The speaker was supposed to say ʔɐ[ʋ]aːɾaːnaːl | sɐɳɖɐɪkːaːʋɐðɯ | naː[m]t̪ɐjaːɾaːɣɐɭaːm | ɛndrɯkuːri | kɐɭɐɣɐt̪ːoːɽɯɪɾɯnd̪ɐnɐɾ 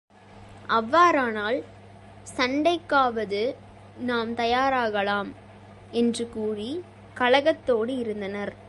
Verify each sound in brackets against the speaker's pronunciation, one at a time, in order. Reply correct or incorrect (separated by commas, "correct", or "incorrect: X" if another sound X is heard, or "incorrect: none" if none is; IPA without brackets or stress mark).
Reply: incorrect: ʋː, correct